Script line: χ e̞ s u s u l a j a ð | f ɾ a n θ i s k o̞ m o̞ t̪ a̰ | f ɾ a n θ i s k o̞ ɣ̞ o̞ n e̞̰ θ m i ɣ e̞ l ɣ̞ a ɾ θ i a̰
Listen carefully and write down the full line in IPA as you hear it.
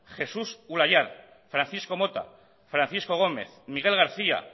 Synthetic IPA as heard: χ e̞ s u s u l a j a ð | f ɾ a n θ i s k o̞ m o̞ t̪ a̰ | f ɾ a n θ i s k o̞ ɣ̞ o̞ m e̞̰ θ m i ɣ e̞ l ɣ̞ a ɾ θ i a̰